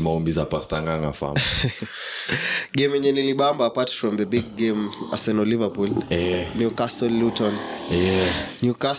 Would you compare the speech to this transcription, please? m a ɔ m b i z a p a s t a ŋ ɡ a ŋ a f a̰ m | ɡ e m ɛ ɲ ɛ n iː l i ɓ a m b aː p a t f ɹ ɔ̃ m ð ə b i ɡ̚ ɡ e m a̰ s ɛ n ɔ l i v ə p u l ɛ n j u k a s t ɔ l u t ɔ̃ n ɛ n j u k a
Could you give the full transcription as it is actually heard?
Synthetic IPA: m a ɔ m b i z a p a s t a ŋ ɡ a ŋ a f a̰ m | ɡ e m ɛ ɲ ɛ n i l i ɓ a m b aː p a t f ɹ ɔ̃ m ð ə b i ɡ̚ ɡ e m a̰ s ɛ n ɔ l i v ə p u l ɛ n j u k a s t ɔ l u t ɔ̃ n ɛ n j u k a